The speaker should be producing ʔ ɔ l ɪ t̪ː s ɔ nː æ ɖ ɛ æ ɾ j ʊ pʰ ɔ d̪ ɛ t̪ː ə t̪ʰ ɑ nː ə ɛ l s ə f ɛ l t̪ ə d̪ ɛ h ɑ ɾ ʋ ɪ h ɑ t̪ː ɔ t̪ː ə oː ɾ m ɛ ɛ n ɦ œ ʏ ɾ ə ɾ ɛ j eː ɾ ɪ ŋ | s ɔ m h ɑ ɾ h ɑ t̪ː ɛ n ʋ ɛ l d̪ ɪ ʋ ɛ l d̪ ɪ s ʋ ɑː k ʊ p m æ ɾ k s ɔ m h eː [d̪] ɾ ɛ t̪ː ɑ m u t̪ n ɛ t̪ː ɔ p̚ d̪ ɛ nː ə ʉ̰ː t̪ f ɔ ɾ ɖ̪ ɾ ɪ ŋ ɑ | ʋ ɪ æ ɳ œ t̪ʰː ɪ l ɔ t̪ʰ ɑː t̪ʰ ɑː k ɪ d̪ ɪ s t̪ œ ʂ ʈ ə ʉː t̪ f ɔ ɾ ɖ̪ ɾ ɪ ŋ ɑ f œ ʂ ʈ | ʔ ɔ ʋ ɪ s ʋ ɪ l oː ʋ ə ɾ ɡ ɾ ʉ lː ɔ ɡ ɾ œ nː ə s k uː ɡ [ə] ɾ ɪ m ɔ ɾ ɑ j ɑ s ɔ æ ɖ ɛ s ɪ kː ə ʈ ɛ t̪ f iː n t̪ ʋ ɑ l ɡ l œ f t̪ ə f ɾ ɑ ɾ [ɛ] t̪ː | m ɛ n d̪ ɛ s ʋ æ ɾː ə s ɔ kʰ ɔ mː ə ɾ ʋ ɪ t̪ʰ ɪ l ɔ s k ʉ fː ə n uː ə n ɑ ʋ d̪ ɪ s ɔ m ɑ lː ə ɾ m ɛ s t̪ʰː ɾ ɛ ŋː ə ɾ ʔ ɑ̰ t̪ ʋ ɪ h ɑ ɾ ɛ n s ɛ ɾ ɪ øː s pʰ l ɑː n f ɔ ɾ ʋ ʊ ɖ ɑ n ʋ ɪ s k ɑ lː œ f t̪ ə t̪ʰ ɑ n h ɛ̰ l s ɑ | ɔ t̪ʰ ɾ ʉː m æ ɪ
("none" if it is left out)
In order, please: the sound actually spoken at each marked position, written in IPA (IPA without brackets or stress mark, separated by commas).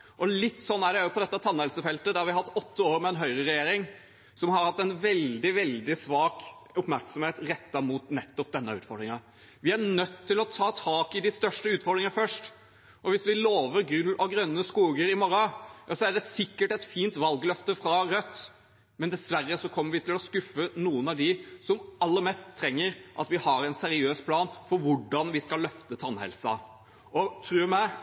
t̪, ə, œ